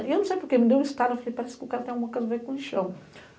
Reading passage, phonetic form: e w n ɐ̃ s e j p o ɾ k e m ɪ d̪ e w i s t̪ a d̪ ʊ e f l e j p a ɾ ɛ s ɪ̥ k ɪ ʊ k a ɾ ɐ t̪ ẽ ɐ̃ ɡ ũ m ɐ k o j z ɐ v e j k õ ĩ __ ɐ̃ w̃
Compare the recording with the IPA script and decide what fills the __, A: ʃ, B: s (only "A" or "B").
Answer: A